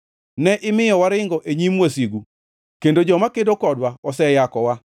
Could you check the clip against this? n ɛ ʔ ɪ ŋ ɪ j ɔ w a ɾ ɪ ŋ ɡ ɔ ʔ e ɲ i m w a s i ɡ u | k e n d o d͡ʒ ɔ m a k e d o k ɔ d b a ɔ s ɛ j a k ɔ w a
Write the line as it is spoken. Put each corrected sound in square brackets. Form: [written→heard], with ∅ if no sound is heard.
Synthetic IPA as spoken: n ɛ ʔ ɪ [ŋ→m] ɪ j ɔ w a ɾ ɪ ŋ ɡ ɔ ʔ e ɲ i m w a s i ɡ u | k e n d o d͡ʒ ɔ m a k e d o k ɔ d [b→w] a ɔ s ɛ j a k ɔ w a